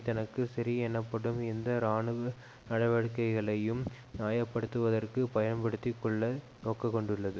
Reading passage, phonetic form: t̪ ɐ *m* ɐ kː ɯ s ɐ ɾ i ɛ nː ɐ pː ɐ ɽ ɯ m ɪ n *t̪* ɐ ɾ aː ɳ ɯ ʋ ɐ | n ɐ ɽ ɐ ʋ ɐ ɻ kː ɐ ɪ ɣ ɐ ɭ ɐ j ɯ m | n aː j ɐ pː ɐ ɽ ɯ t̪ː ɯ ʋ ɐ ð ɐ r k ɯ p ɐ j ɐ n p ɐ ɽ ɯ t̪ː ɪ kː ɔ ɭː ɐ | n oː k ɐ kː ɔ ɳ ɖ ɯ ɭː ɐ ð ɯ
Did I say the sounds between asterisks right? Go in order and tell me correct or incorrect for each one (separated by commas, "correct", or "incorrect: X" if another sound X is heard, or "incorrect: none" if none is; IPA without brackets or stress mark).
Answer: incorrect: n, incorrect: d̪